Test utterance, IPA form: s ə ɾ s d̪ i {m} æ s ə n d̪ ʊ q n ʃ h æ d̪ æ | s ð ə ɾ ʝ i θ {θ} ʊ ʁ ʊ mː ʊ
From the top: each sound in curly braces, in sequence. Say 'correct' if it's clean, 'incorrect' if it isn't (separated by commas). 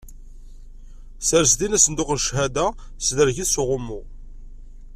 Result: incorrect, incorrect